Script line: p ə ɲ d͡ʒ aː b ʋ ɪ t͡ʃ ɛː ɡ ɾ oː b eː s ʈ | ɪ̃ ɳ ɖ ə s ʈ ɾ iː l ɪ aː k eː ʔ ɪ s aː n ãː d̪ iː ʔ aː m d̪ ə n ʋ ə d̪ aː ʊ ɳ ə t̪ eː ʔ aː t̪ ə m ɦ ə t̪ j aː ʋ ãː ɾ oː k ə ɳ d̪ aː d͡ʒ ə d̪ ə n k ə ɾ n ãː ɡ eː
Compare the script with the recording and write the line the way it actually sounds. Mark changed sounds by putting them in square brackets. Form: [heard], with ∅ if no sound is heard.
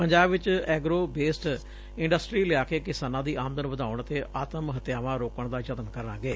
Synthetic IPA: p ə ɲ d͡ʒ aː b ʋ ɪ t͡ʃ ɛː ɡ ɾ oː b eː s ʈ | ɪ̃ ɳ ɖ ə s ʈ ɾ iː l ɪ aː k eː [k] ɪ s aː n ãː d̪ iː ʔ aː m d̪ ə n ʋ ə d̪ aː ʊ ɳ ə t̪ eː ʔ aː t̪ ə m ɦ ə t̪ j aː ʋ ãː ɾ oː k ə ɳ d̪ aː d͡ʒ ə [t̪] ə n k ə ɾ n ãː ɡ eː